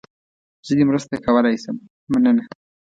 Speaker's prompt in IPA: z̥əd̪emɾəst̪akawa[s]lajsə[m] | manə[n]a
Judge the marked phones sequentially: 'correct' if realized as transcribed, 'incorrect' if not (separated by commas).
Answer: incorrect, correct, correct